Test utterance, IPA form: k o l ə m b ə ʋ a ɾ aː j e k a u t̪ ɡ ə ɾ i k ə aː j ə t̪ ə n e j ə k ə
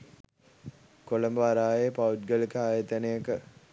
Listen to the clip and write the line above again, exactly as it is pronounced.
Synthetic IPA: k o l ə m b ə ʋ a ɾ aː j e p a u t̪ ɡ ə l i k ə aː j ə t̪ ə n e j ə k ə